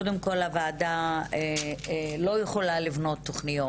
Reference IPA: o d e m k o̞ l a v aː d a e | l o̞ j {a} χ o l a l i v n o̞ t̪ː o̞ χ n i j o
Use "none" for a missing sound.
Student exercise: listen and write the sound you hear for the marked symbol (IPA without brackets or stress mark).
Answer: e